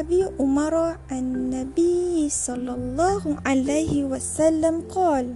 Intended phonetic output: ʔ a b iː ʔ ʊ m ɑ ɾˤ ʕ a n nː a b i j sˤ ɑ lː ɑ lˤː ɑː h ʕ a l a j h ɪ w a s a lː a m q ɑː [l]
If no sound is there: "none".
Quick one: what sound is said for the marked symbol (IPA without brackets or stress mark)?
l